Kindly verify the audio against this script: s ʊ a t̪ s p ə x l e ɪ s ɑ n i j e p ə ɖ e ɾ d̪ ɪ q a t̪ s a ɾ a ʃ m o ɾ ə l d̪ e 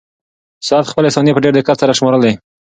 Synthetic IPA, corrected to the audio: s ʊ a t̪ x p ə l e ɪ s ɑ n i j e p ə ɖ e ɾ d̪ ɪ k a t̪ s a ɾ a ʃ m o ɾ ə l d̪ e

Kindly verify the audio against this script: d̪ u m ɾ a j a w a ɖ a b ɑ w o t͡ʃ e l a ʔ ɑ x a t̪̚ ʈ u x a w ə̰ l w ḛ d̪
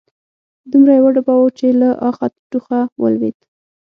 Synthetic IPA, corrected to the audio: d̪ u m ɾ a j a w a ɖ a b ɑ w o t͡ʃ e l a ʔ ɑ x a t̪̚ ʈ u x a w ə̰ l w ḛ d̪

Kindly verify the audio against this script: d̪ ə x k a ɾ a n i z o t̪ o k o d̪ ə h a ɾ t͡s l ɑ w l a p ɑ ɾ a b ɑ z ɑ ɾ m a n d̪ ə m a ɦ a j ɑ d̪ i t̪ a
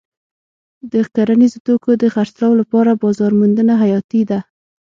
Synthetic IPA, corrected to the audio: d̪ ə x k a ɾ a n i z o t̪ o k o d̪ ə x a ɾ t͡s l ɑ w l a p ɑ ɾ a b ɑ z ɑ ɾ m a n d̪ ə n a ɦ a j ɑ t̪ i d̪ a

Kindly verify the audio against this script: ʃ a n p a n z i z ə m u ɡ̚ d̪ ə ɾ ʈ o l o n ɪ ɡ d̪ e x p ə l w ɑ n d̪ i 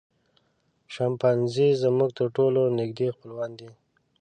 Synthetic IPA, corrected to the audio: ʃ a m p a n z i z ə m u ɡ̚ t̪ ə ɾ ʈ o l o n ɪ ɡ d̪ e x p ə l w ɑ n d̪ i

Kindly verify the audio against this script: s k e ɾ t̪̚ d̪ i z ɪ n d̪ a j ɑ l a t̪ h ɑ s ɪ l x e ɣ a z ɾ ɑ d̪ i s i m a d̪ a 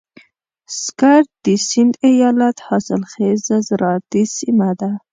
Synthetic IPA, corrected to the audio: s k a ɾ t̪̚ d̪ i s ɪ n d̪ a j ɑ l a t̪ h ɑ s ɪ l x e z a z ɾ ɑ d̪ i s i m a d̪ a

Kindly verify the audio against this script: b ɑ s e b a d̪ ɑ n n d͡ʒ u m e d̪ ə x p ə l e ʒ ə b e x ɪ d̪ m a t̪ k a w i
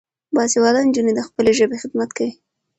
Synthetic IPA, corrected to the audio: b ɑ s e w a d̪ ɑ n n d͡ʒ u n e d̪ ə x p ə l e ʒ ə b e x ɪ d̪ m a t̪ k a w i

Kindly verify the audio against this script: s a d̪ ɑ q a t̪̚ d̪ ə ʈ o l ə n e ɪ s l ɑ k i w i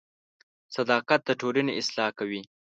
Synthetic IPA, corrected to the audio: s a d̪ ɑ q a t̪̚ d̪ ə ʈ o l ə n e ɪ s l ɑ k a w i

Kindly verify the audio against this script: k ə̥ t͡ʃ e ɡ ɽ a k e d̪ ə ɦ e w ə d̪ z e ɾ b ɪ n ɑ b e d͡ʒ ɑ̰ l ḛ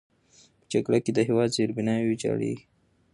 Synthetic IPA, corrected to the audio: p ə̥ t͡ʃ a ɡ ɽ a k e d̪ ə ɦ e w ɑ d̪ z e ɾ b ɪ n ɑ w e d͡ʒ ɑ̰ ɽ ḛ

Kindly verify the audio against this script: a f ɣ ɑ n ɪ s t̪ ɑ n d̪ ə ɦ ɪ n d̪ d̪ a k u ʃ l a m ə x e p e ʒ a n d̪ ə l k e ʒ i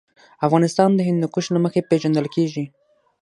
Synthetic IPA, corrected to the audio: a f ɣ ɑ n ɪ s t̪ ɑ n d̪ ə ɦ ɪ n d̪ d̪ ə k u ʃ l a m ə x e p e ʒ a n d̪ ə l k e ʒ i

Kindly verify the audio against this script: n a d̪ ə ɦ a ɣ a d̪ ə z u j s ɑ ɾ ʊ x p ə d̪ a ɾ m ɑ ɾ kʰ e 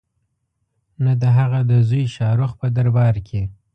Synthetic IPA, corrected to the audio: n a d̪ ə ɦ a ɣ a d̪ ə z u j ʃ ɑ ɾ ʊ x p ə d̪ a ɾ b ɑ ɾ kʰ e

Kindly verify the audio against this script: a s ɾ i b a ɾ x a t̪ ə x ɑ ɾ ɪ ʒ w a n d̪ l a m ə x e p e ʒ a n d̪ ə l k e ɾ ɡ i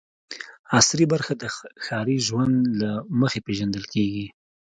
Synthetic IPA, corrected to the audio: a s ɾ i b a ɾ x a d̪ ə x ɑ ɾ i ʒ w a n d̪ l a m ə x e p e ʒ a n d̪ ə l k e ɡ i

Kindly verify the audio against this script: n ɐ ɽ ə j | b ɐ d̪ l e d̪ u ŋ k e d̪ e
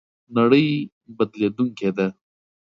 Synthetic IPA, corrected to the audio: n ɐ ɽ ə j | b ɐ d̪ l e d̪ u ŋ k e d̪ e

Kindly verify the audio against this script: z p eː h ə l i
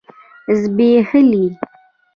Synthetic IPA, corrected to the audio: z b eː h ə l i

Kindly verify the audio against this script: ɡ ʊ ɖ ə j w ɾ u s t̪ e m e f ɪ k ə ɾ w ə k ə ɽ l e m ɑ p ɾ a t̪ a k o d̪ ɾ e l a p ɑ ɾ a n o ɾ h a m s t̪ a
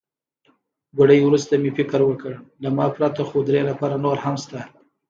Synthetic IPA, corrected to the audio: ɡ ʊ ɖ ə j w ɾ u s t̪ a m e f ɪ k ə ɾ w ə k ə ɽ l a m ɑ p ɾ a t̪ a x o d̪ ɾ e l a p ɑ ɾ a n o ɾ h a m s t̪ a

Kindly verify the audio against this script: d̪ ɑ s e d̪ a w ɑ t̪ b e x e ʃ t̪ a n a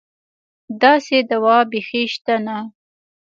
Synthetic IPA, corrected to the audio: d̪ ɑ s e d̪ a w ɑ b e x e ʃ t̪ a n a

